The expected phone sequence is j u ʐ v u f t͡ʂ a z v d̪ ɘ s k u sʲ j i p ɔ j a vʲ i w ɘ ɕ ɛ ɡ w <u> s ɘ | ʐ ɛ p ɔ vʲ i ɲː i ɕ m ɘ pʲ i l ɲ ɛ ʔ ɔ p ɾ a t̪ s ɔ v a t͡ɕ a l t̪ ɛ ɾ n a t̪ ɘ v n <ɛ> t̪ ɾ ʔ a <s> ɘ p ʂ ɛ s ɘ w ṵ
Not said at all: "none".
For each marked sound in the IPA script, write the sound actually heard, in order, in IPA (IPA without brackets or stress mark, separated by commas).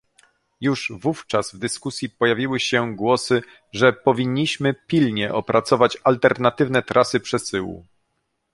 ɔ, ɛ, s